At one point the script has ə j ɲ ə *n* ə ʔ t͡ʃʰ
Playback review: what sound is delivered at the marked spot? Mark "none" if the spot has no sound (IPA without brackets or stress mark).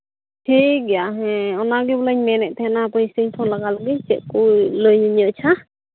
ɲ